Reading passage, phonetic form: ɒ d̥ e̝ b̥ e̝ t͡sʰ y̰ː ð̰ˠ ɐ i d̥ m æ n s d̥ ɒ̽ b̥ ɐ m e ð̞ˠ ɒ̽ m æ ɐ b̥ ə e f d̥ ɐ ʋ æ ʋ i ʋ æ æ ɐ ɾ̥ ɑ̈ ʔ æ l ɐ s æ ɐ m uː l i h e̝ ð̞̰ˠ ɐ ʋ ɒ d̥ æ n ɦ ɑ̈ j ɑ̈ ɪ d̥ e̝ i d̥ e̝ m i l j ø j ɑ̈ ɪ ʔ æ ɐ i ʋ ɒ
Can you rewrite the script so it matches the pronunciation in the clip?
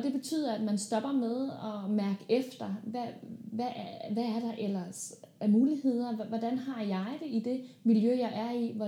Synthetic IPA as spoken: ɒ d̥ e̝ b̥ e̝ t͡sʰ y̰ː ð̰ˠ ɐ æ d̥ m æ n s d̥ ɒ̽ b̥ ɐ m e ð̞ˠ ɒ̽ m æ ɐ ɡ̥ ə e f d̥ ɐ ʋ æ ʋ æ ʋ æ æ ɐ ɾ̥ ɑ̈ ʔ e l ɐ s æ ɐ m uː l i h e̝ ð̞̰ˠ ɐ ʋ ɒ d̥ æ n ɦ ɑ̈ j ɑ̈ ɪ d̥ e̝ i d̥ e̝ m i l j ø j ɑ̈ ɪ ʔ æ ɐ i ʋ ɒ